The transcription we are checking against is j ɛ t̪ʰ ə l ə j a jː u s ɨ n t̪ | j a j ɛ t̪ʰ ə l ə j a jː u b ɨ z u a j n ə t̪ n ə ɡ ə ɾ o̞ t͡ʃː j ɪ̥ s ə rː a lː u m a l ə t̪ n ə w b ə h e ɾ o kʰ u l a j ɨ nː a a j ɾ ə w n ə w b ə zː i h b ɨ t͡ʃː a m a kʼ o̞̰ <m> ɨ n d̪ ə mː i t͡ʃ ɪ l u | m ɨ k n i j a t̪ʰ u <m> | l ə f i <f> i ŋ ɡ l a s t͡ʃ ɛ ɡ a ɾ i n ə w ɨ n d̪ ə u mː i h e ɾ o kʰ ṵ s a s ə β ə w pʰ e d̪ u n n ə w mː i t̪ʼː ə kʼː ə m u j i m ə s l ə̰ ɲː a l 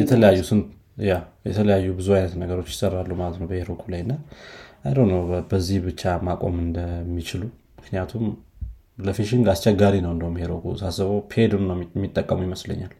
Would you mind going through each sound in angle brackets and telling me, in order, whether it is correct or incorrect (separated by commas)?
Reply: correct, correct, incorrect